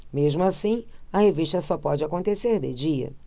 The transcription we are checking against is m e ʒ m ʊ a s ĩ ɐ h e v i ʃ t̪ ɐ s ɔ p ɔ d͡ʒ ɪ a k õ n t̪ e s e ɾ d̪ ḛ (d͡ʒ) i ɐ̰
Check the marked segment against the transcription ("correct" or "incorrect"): correct